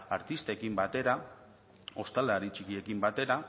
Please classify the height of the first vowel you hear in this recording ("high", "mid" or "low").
low